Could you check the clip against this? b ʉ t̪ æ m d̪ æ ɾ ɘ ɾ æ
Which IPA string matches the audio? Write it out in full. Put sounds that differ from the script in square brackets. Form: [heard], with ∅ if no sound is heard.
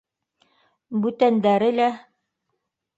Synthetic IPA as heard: b ʉ t̪ æ [n] d̪ æ ɾ ɘ [l] æ